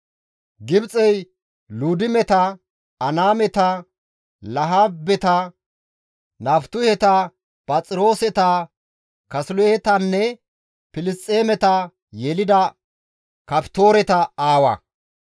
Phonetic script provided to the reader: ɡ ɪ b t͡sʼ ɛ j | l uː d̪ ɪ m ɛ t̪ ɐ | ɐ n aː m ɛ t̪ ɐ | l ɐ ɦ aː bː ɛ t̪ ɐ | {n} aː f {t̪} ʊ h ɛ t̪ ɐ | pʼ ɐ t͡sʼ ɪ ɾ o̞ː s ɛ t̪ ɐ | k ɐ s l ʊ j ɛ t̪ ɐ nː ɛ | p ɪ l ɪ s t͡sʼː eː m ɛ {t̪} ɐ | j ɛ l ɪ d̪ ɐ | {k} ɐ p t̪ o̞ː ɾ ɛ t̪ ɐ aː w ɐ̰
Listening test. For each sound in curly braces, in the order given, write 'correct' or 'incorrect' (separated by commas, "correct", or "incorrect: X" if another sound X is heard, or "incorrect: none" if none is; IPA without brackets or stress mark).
correct, correct, correct, correct